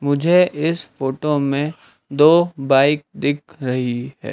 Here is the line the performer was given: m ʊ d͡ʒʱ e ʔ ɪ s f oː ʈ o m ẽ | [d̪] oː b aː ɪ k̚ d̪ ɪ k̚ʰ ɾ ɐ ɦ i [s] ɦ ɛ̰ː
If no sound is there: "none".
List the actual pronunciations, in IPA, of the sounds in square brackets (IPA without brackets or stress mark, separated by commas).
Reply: d̪, none